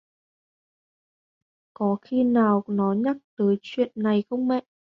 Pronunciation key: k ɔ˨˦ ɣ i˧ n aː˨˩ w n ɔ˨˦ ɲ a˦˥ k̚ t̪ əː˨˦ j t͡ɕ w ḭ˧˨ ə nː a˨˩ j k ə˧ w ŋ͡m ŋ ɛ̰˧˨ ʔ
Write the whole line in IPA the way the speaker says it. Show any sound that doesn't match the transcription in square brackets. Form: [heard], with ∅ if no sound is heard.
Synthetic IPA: k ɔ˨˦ [x] i˧ n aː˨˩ w n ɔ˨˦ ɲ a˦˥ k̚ t̪ əː˨˦ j t͡ɕ w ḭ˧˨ ə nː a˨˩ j [x] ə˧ w ŋ͡m [m] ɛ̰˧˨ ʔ